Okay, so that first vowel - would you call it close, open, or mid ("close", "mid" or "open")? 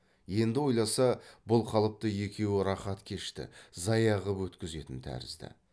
mid